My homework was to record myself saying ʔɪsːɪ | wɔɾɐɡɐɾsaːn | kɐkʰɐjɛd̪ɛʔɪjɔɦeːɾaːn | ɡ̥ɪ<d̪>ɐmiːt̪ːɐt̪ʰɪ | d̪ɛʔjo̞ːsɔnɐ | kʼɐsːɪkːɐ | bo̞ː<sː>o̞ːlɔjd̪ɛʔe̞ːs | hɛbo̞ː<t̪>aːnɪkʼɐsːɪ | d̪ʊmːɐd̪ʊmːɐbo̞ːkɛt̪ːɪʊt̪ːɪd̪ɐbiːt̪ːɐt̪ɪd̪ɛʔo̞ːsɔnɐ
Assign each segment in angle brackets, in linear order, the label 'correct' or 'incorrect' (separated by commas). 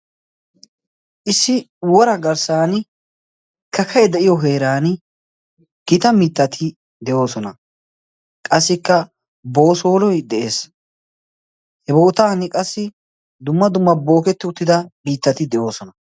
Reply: incorrect, incorrect, correct